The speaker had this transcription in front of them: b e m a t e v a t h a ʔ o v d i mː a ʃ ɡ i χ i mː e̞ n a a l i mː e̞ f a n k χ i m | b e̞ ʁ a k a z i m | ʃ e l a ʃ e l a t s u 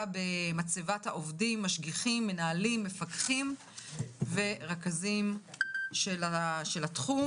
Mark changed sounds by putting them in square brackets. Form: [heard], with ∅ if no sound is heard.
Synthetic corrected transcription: b e m a [t͡s] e v a t h a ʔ o v d i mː a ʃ ɡ i χ i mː e̞ n a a l i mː e̞ f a [∅] k χ i m | [v] e̞ ʁ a k a z i m | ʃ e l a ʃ e l a t [χ] u